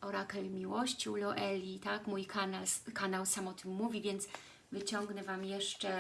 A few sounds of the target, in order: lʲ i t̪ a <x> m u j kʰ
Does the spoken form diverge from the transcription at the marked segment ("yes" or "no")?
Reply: yes